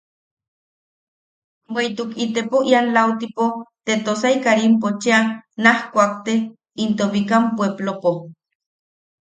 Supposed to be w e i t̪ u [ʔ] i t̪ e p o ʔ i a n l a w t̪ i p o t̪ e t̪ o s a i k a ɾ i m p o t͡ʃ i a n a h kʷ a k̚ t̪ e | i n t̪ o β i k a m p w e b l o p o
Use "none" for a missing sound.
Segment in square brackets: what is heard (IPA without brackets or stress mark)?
k